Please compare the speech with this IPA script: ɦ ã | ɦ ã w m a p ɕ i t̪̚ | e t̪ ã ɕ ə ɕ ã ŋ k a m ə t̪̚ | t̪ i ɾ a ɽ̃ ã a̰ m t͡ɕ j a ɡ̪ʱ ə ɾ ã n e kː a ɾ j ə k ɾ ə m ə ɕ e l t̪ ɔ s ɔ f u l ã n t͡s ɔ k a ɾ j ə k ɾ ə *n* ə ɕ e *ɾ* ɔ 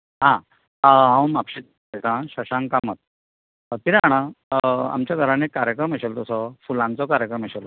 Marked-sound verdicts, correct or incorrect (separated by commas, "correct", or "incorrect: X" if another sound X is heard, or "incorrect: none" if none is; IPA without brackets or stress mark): incorrect: m, incorrect: l